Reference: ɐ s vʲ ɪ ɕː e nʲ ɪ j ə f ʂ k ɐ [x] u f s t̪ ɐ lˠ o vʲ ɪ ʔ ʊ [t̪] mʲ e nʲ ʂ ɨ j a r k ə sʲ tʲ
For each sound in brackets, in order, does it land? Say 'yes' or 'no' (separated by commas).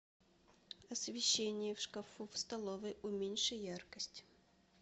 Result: no, no